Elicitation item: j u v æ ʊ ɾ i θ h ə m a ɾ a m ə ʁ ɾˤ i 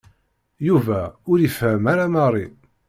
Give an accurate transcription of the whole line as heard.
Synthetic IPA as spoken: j u v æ ʊ ɾ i f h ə m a ɾ a m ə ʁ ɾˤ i

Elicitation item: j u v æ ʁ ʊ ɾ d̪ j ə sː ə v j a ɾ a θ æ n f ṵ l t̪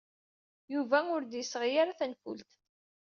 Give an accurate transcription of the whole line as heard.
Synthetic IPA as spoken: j u v æ ʊ ɾ d̪ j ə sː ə ʁ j a ɾ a θ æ n f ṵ l t̪

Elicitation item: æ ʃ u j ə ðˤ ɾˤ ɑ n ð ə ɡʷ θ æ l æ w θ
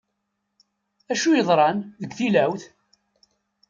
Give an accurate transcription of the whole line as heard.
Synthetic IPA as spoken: æ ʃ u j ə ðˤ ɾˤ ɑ n ð ə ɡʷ θ i l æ w θ

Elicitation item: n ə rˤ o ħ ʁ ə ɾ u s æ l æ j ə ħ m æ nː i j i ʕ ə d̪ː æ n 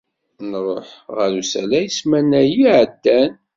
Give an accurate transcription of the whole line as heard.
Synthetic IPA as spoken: n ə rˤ o ħ ʁ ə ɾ u s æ l æ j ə s m æ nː æ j i ʕ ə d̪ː æ n

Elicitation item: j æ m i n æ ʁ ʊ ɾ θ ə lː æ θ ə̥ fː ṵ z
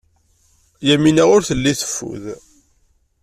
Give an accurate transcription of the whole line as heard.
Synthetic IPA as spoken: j æ m i n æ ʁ ʊ ɾ θ ə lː i θ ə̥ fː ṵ ð

